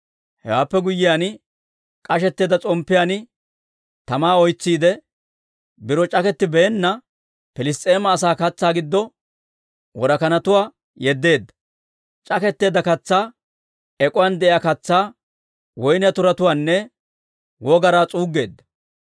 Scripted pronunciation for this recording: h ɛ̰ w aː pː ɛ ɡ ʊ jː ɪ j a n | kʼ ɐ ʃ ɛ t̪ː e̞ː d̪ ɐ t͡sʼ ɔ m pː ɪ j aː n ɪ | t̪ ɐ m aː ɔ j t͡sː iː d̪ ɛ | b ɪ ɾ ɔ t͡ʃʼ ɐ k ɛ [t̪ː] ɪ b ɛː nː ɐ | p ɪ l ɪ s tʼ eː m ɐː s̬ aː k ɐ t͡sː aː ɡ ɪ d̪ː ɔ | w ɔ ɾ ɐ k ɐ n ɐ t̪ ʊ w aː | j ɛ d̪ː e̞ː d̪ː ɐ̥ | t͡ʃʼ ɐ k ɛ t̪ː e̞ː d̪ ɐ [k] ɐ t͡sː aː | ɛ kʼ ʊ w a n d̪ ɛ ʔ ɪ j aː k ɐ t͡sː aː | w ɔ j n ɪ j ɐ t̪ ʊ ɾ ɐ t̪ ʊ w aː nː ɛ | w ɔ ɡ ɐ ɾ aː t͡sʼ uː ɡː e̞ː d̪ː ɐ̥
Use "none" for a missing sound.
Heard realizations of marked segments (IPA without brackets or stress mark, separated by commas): t̪ː, k